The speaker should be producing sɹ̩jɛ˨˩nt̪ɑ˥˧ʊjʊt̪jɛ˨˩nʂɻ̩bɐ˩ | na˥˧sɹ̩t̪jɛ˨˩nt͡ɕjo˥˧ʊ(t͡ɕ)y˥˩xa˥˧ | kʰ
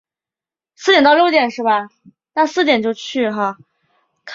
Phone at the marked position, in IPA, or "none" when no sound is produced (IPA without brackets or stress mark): t͡ɕʰ